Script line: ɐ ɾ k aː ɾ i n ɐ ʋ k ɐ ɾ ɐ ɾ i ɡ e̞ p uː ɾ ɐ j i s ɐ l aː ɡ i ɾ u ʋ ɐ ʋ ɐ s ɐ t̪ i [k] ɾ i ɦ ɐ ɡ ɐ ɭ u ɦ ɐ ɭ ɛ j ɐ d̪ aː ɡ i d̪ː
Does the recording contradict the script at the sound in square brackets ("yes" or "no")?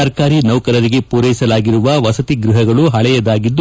yes